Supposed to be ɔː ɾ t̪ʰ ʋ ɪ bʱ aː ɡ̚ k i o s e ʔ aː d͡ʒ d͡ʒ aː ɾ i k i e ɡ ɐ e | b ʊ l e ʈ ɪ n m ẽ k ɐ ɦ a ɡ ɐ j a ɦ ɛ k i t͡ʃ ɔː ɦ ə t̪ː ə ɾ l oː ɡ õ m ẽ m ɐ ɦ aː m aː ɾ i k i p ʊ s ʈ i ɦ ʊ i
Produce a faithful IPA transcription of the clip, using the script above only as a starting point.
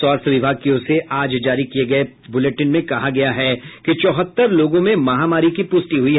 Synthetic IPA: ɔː ɾ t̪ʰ ʋ ɪ bʱ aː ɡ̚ k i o s e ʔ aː d͡ʒ d͡ʒ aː ɾ i k i e ɡ ɐ e | b ʊ l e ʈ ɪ n m ẽ k ɐ ɦ a ɡ ɐ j a ɦ ɛ k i t͡ʃ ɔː ɦ ə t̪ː ə ɾ l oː ɡ õ m ẽ m ɐ ɦ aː m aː ɾ i k i p ʊ s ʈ i ɦ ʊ i